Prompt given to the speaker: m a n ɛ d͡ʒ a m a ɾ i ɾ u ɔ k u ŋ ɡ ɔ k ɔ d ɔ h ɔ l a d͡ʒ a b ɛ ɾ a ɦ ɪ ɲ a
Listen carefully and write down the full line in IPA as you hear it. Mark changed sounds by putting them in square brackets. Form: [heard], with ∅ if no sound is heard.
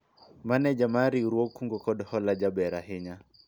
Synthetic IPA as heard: m a n ɛ d͡ʒ a m a ɾ i ɾ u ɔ k u ŋ ɡ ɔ k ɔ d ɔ h ɔ l a d͡ʒ a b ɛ ɾ a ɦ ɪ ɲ a